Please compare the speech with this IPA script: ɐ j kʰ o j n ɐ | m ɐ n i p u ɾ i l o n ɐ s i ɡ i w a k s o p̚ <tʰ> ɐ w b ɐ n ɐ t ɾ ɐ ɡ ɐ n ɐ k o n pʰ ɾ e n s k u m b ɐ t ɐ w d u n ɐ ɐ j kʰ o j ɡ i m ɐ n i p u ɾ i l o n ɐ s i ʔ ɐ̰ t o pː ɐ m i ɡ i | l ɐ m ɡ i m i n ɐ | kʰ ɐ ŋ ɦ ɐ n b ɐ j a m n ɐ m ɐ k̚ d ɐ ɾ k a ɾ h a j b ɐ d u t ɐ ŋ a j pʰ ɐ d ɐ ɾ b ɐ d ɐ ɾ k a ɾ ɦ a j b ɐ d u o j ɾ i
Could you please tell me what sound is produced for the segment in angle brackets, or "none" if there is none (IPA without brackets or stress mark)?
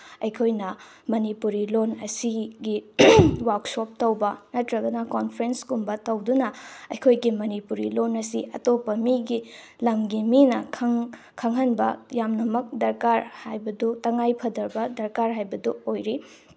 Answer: t